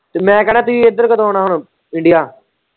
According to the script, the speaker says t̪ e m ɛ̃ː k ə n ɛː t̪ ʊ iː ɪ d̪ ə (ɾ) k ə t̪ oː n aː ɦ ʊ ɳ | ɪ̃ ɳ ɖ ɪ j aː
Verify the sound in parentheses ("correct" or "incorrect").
correct